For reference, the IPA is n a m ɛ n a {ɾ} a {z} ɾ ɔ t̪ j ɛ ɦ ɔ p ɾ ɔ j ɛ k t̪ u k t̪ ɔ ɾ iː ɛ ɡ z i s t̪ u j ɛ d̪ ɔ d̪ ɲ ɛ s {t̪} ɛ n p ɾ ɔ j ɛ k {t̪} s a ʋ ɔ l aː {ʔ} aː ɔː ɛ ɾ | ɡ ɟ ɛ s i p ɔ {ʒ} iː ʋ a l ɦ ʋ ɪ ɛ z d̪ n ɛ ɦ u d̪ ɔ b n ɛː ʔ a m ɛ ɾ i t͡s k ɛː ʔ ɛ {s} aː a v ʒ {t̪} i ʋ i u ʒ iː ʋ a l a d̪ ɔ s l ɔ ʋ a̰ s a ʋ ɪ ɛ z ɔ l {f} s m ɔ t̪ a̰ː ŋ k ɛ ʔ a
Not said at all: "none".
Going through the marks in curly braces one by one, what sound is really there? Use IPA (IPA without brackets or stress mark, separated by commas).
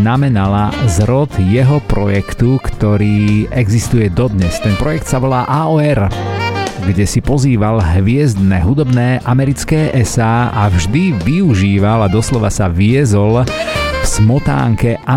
l, z, t̪, t̪, ʔ, z, s, d̪, f